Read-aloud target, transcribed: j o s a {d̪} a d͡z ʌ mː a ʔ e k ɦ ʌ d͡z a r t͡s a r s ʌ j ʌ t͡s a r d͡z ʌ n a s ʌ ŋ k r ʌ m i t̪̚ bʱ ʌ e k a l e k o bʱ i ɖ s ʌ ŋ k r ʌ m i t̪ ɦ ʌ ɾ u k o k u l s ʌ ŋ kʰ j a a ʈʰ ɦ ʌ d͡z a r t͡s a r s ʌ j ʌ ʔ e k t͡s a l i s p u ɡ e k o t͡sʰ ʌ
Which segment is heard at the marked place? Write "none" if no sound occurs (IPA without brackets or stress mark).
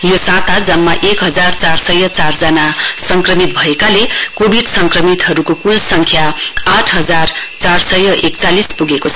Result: t̪